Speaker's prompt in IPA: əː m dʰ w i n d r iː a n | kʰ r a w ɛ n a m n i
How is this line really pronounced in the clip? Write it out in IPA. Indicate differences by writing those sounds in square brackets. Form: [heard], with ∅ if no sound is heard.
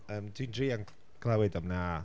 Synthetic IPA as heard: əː m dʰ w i n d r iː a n | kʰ [l] a w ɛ [d] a m n [a]